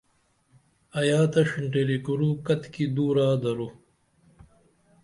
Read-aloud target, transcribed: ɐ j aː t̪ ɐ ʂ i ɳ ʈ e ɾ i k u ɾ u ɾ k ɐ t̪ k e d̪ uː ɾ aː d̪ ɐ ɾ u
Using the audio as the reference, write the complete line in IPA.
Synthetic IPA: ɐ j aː t̪ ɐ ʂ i ɳ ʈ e ɾ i k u ɾ u k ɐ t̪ k i d̪ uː ɾ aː d̪ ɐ ɾ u